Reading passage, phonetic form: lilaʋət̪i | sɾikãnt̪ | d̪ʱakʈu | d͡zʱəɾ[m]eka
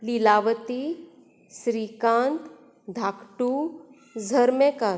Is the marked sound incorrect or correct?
correct